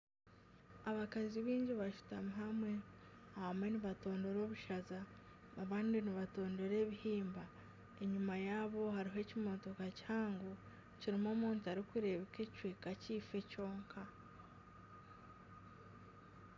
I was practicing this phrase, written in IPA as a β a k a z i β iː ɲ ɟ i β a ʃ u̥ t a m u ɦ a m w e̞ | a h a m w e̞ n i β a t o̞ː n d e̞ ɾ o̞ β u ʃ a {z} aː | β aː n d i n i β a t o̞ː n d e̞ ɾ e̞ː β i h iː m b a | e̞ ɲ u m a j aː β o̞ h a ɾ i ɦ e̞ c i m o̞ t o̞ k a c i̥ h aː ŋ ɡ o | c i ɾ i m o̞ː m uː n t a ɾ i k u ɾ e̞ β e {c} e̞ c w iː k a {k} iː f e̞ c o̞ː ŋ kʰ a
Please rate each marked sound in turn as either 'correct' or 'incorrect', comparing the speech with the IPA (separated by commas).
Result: correct, incorrect, incorrect